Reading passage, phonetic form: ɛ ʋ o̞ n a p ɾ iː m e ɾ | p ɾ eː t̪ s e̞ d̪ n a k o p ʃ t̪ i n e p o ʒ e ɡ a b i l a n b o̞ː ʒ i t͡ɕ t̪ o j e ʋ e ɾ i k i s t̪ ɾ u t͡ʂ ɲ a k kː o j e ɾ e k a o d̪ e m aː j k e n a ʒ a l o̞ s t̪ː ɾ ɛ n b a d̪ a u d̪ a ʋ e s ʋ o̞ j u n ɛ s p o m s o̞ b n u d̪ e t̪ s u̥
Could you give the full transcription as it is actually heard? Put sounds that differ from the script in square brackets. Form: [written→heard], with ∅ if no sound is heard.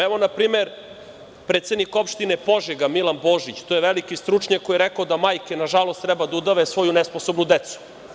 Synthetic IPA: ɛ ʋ o̞ n a p ɾ iː m e ɾ | p ɾ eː t̪ s e̞ d̪ n [a→i] k o p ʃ t̪ i n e p o ʒ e ɡ a [b→m] i l a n b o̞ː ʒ i t͡ɕ t̪ o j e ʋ e [ɾ→l] i k i s t̪ ɾ u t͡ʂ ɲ a k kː o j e ɾ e k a o d̪ [e→a] m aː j k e n a ʒ a l o̞ s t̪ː ɾ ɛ [n→∅] b a d̪ a u d̪ a ʋ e s ʋ o̞ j u n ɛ s p o [m→∅] s o̞ b n u d̪ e t̪ s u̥